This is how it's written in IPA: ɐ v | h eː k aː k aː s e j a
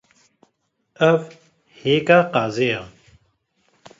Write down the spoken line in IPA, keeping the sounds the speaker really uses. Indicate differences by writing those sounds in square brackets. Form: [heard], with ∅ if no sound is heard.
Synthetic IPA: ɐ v | h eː k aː [q] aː [z] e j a